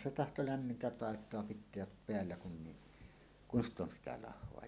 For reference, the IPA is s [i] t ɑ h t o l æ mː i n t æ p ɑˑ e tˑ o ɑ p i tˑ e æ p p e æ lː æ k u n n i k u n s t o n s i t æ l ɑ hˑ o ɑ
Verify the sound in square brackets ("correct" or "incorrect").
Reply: incorrect